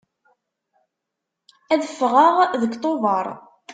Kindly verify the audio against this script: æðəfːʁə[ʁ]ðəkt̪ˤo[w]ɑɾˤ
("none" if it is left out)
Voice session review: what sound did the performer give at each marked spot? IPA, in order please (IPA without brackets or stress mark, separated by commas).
ʁ, v